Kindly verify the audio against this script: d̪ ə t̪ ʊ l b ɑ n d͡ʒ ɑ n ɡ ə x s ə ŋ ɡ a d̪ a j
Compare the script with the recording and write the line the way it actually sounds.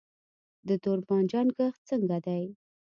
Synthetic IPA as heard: d̪ ə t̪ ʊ ɾ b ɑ n d͡ʒ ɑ n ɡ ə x t͡s ə ŋ ɡ a d̪ a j